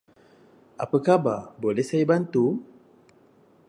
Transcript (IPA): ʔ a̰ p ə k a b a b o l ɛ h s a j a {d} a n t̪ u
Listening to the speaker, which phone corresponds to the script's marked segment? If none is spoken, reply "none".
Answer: b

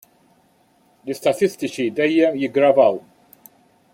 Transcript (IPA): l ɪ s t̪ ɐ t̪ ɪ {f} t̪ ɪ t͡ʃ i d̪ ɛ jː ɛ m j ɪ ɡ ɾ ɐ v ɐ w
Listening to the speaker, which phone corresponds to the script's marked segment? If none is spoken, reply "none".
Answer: s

